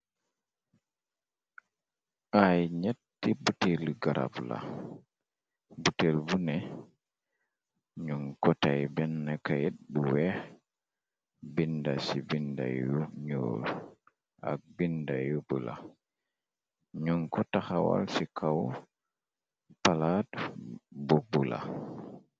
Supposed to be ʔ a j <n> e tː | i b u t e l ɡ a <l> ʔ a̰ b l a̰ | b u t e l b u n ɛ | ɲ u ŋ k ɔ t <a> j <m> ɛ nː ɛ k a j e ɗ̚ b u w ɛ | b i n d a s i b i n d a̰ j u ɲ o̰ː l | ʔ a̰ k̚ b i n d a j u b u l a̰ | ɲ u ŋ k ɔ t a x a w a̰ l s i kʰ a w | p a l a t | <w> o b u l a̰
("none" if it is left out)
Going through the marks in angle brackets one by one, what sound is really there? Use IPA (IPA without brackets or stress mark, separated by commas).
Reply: ɲ, ɾ, a, b, b